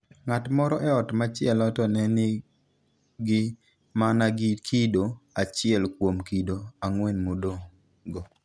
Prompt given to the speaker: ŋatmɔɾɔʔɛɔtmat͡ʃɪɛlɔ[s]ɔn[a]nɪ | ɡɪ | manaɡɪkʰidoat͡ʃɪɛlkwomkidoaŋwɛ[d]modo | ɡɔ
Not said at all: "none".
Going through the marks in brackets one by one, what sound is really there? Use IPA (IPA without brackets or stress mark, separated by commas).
t, ɛ, n